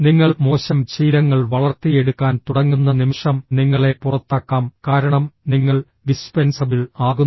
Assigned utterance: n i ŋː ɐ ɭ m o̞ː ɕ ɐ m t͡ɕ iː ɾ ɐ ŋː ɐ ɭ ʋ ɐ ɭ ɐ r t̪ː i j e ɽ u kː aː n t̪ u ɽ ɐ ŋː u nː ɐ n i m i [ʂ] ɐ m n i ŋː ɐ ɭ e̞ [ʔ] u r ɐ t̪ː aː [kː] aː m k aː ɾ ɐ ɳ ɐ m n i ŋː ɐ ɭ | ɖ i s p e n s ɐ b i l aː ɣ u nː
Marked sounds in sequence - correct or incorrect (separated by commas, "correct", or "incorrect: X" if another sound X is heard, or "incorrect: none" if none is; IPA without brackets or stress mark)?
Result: correct, incorrect: p, correct